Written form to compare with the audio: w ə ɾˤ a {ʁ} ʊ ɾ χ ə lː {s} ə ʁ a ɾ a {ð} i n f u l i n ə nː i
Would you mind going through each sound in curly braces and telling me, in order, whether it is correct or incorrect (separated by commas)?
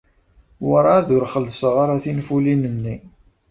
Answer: incorrect, correct, incorrect